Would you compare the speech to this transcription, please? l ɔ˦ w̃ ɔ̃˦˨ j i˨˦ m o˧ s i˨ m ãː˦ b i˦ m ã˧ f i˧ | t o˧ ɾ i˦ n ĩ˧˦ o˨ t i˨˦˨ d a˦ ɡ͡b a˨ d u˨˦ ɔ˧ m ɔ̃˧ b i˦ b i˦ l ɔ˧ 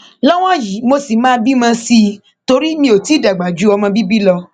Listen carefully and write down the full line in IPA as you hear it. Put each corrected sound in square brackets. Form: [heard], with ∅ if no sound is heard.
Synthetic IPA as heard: l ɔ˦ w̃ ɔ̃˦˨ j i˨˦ m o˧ s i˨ m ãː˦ b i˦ m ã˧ [s] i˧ | t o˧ ɾ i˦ [m] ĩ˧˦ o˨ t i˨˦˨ d [a˨] ɡ͡b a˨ [d͡ʒ] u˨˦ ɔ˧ m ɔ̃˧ b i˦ b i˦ l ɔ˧